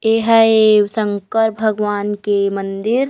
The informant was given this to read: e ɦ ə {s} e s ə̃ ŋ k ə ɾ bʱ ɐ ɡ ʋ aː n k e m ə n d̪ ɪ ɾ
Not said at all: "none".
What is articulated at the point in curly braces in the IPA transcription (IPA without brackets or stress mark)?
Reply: none